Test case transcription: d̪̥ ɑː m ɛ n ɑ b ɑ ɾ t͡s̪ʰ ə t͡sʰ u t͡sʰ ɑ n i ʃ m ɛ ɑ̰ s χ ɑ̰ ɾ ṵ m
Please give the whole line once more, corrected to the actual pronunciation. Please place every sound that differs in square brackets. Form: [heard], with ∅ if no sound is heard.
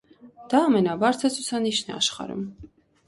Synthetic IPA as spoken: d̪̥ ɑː m ɛ n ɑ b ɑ ɾ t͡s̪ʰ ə t͡sʰ u t͡sʰ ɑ n i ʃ [n] ɛ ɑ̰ [ʃ] χ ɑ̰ ɾ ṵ m

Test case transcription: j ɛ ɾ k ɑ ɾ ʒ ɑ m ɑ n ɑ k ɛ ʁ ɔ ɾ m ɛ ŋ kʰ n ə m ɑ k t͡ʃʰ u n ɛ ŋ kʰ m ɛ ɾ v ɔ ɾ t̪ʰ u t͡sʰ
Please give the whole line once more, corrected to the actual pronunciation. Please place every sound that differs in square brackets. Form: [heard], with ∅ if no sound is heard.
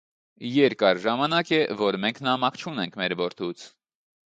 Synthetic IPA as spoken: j ɛ ɾ k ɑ ɾ ʒ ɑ m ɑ n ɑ k ɛ [v] ɔ ɾ m ɛ ŋ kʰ n [ɑ] m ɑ k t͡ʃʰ u n ɛ ŋ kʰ m ɛ ɾ v ɔ ɾ t̪ʰ u t͡sʰ

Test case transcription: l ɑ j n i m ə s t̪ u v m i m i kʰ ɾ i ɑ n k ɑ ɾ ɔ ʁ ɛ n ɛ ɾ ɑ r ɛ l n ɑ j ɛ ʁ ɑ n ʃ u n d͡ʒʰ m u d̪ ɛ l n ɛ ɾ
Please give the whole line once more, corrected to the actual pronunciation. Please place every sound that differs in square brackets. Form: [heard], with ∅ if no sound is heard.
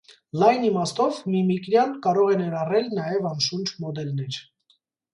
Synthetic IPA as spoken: l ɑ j n i m [ɑ] s t̪ [ɔ] v m i m i [k] ɾ [j] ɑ n k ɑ ɾ ɔ ʁ ɛ n ɛ ɾ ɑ r ɛ l n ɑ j ɛ [v] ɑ n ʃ u n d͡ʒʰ m [ɔ] d̪ ɛ l n ɛ ɾ

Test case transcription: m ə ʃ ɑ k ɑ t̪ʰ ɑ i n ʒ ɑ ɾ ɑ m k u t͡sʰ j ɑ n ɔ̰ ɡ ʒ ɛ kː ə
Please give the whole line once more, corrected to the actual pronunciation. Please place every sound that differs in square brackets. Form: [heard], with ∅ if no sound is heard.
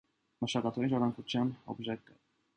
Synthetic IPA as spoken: m ə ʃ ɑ k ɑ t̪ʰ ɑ i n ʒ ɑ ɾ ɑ [ŋ] k u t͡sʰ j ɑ n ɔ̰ [b] ʒ ɛ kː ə

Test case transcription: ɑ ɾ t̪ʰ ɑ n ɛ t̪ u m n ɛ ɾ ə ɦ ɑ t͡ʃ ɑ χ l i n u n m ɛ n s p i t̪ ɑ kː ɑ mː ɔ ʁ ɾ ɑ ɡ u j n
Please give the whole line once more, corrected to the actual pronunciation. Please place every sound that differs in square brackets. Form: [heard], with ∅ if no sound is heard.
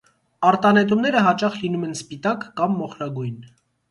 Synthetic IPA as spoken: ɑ ɾ [t̪] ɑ n ɛ t̪ u m n ɛ ɾ ə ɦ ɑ t͡ʃ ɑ χ l i n u [∅] m ɛ n s p i t̪ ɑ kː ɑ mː ɔ [χ] ɾ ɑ ɡ u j n

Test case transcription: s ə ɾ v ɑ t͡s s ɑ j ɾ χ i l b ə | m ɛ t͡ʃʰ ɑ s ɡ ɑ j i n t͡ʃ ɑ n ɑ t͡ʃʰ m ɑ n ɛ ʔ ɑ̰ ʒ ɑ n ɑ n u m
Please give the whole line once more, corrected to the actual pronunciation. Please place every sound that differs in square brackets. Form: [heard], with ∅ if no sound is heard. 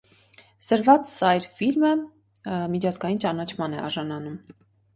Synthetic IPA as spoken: s ə ɾ v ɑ t͡s s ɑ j ɾ [f] i l [m] ə | m [i] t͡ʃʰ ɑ [z] ɡ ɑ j i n t͡ʃ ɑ n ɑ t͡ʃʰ m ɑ n ɛ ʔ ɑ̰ ʒ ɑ n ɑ n u m

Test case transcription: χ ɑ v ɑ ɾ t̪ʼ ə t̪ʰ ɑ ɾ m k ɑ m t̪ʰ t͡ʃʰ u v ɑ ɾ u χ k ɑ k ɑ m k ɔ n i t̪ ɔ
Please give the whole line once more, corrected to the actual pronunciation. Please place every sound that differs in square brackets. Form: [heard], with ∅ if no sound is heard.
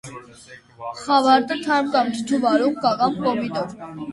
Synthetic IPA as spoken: χ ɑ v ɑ ɾ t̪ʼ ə t̪ʰ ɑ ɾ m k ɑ m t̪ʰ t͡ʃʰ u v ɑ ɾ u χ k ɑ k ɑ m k ɔ [m] i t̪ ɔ

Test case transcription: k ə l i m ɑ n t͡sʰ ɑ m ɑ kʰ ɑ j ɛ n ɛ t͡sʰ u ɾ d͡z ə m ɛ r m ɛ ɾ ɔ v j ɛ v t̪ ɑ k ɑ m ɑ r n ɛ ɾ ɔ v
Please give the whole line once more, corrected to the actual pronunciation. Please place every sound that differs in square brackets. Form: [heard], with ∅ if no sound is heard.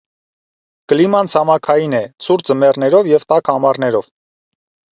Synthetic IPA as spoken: k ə l i m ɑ n t͡sʰ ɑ m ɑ kʰ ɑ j [i] n ɛ t͡sʰ u ɾ d͡z ə m ɛ r [n] ɛ ɾ ɔ v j ɛ v t̪ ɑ k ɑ m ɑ r n ɛ ɾ ɔ v

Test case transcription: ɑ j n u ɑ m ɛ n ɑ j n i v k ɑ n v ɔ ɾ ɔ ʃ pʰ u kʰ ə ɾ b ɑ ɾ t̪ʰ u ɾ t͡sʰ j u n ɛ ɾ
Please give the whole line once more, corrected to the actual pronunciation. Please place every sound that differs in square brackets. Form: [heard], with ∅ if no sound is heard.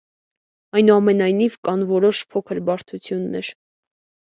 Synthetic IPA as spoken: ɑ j n u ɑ m ɛ n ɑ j n i v k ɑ n v ɔ ɾ ɔ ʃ pʰ [ɔ] kʰ ə ɾ b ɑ ɾ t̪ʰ u [∅] t͡sʰ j u [nː] ɛ ɾ

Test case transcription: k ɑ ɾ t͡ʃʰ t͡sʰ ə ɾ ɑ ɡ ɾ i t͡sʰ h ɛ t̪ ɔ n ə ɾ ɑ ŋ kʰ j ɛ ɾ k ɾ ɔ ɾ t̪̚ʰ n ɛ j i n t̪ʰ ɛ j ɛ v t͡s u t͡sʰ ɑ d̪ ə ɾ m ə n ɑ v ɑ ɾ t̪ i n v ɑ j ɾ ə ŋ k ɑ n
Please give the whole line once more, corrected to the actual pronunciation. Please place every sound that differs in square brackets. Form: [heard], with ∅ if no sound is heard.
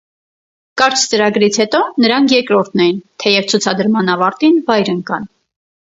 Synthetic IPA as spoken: k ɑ ɾ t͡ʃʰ [t͡s] ə ɾ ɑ ɡ ɾ i t͡sʰ h ɛ t̪ ɔ n ə ɾ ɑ ŋ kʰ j ɛ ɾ k ɾ ɔ ɾ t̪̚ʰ n ɛ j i n t̪ʰ ɛ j ɛ v [t͡sʰ] u t͡sʰ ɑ d̪ ə ɾ m [ɑ] n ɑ v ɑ ɾ t̪ i n v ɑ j ɾ ə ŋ k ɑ n

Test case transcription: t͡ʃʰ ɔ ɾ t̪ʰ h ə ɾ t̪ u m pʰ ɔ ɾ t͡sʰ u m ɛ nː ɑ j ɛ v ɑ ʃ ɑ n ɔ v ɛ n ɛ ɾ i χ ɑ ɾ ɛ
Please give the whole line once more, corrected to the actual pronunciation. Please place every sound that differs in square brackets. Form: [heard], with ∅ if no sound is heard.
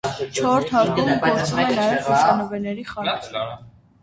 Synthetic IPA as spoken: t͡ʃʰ ɔ ɾ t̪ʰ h [ɑ] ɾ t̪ u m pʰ ɔ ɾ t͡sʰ u m ɛ [n] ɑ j ɛ v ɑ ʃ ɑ n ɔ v ɛ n ɛ ɾ i χ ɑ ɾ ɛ

